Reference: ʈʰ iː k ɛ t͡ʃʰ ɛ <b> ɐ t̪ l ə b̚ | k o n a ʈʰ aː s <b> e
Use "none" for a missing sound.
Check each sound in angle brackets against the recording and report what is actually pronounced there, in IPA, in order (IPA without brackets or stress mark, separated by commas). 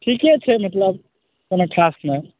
m, m